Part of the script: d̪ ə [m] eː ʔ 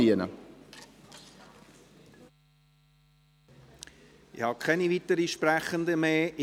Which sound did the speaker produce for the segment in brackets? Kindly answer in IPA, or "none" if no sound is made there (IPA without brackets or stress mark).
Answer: m